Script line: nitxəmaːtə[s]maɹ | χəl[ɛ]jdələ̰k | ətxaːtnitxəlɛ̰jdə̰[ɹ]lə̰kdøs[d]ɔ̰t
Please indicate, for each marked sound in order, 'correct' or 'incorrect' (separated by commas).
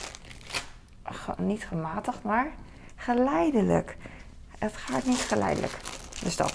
incorrect, correct, incorrect, correct